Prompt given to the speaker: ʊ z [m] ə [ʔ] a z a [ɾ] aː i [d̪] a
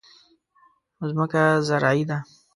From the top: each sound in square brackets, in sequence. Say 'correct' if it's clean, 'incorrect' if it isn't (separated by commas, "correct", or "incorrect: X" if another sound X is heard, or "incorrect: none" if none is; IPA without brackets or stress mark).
correct, incorrect: k, correct, correct